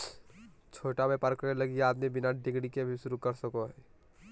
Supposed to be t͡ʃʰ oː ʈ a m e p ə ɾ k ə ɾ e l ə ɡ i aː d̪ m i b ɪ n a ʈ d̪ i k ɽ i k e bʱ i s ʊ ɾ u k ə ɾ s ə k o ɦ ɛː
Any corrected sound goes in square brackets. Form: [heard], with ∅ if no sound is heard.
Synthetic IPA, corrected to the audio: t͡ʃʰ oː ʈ a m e p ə ɾ k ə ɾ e l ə ɡ i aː d̪ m i b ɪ n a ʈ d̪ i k ɽ i k e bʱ i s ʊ ɾ u k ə ɾ s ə k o ɦ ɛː

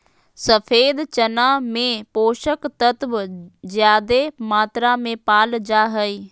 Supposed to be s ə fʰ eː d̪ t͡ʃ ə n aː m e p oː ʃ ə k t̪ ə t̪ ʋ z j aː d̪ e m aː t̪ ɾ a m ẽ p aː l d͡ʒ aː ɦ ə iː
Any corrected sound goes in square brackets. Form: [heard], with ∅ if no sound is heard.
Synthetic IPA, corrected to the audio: s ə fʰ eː d̪ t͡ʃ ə n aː m [ẽ] p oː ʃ ə k t̪ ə t̪ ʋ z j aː d̪ e m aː t̪ ɾ a m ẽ p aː l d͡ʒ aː ɦ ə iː

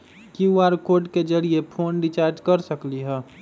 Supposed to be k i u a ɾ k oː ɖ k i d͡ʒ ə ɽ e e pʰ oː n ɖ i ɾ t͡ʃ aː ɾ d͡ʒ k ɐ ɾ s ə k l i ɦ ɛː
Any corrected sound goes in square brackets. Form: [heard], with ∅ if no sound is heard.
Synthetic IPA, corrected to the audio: k i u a ɾ k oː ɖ k [e] d͡ʒ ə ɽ [i] e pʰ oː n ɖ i [∅] t͡ʃ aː ɾ d͡ʒ k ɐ ɾ s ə k l i ɦ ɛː

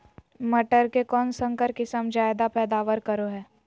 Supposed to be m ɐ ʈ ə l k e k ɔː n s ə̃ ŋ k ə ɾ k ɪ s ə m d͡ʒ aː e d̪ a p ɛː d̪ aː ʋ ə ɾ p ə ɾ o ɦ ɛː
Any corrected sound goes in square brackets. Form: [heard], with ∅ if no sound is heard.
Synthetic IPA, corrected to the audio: m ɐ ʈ ə [ɾ] k e k ɔː n s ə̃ ŋ k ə ɾ k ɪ s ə m d͡ʒ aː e d̪ a p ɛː d̪ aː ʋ ə ɾ [k] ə ɾ o ɦ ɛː

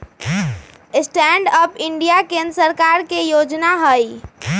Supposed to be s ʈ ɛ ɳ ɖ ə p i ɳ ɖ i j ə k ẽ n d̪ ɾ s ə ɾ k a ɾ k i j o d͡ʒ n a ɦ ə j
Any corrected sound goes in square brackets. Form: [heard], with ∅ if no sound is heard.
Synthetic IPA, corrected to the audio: s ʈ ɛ ɳ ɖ ə p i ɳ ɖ i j [a] k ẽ n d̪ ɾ s ə ɾ k a ɾ k [e] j o d͡ʒ n a ɦ ə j

